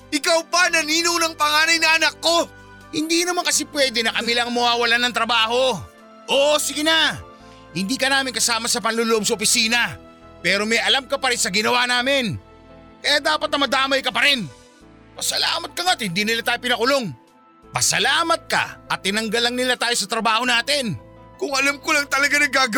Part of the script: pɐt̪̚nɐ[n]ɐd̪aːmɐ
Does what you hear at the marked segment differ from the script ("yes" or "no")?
yes